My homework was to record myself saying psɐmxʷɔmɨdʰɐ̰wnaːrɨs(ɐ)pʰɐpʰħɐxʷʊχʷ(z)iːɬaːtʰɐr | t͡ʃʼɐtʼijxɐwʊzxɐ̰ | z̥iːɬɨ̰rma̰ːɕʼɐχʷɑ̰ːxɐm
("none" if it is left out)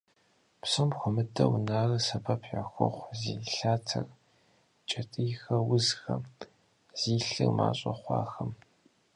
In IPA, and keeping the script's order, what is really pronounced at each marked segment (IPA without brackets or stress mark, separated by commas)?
ɐ, z